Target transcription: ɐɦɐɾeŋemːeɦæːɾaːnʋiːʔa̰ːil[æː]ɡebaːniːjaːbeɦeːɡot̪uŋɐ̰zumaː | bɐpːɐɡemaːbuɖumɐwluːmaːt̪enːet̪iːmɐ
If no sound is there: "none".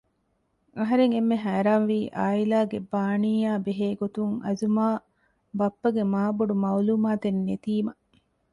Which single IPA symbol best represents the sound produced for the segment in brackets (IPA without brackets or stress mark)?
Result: aː